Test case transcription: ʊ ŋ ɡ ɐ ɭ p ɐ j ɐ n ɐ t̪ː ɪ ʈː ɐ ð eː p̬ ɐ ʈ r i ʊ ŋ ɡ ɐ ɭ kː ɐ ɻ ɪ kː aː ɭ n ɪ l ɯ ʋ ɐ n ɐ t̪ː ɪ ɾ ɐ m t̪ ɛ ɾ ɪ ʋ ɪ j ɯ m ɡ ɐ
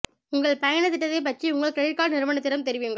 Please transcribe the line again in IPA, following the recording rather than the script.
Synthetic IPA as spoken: ʊ ŋ ɡ ɐ ɭ p ɐ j ɐ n ɐ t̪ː ɪ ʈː ɐ ð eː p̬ ɐ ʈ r i ʊ ŋ ɡ ɐ ɭ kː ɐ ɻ ɪ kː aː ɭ n ɪ ɾ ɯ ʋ ɐ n ɐ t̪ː ɪ ɾ ɐ m t̪ ɛ ɾ ɪ ʋ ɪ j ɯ ŋ ɡ ɐ